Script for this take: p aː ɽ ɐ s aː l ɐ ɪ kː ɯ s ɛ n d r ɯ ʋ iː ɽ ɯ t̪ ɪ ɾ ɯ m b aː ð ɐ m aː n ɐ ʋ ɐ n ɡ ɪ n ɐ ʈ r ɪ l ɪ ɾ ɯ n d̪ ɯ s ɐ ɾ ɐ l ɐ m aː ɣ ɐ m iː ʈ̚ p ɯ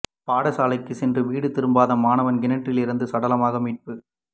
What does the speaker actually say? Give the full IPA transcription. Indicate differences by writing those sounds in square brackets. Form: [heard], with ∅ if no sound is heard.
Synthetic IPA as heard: p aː ɽ ɐ s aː l ɐ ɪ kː ɯ s ɛ n d r ɯ ʋ iː ɽ ɯ t̪ ɪ ɾ ɯ m b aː ð ɐ m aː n ɐ ʋ ɐ n ɡ ɪ n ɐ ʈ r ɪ l ɪ ɾ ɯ n d̪ ɯ s ɐ [ɽ] ɐ l ɐ m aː ɣ ɐ m iː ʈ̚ p ɯ